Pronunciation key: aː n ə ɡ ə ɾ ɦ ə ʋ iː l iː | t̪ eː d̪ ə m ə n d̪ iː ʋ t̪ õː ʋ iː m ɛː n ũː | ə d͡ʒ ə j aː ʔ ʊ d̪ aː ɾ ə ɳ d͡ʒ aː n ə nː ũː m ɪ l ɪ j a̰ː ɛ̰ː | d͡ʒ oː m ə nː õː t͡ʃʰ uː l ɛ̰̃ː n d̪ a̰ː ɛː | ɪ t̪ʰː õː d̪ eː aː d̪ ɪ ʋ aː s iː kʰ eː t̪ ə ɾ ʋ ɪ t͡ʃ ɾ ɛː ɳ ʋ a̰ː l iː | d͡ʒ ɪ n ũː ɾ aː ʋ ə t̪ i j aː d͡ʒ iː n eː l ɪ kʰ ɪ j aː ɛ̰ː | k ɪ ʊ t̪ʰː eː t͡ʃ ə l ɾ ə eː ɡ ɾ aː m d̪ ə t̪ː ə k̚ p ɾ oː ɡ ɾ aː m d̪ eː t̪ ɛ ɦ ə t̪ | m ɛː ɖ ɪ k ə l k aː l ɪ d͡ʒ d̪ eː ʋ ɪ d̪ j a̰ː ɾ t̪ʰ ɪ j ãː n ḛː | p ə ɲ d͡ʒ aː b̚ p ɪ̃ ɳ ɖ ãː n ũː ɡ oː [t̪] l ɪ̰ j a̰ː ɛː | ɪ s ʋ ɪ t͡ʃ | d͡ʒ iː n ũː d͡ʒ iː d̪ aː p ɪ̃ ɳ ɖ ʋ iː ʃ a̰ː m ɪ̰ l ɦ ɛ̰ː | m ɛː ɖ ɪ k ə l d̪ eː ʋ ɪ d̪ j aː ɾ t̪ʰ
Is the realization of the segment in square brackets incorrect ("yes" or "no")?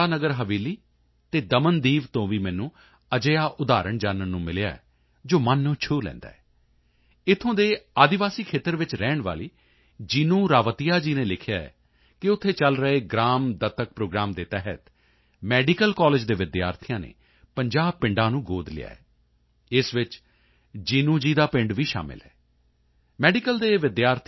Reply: yes